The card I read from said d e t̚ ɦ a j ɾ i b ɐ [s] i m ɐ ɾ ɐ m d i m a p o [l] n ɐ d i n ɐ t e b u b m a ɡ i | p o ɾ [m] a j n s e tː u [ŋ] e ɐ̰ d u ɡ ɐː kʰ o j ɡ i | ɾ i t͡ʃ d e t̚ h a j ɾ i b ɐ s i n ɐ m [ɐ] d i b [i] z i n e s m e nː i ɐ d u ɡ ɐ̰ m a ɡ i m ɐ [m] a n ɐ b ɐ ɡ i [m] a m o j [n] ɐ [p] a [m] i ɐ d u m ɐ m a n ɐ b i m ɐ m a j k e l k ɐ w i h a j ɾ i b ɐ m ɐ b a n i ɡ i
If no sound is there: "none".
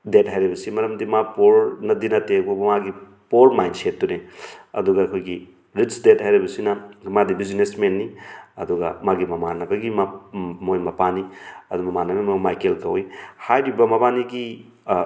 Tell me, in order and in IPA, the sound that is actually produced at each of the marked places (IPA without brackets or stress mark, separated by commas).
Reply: s, ɾ, m, n, a, i, m, m, m, p, n